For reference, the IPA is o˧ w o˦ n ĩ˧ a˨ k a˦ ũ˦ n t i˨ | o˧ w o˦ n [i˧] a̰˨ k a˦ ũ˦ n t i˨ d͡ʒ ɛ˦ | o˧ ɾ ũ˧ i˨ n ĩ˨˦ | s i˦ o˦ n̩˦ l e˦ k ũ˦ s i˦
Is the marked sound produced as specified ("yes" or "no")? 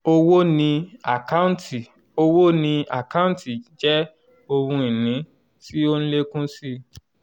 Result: no